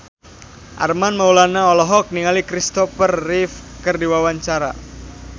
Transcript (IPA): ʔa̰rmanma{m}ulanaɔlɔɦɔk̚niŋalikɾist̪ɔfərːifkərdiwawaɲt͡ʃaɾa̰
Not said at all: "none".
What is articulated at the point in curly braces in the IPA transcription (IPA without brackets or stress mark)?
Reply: none